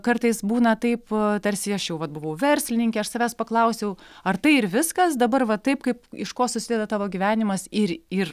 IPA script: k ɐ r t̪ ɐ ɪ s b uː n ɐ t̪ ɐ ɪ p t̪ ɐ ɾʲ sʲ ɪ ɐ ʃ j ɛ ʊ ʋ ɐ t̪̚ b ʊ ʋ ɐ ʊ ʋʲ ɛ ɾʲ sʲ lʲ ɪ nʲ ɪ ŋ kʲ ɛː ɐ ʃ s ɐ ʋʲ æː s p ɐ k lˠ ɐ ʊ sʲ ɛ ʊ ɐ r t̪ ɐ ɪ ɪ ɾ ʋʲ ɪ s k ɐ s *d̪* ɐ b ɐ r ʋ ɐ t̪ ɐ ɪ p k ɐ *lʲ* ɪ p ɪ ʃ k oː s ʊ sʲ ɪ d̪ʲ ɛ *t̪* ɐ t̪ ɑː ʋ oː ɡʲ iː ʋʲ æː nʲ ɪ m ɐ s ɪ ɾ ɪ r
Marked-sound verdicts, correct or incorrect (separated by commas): correct, incorrect, incorrect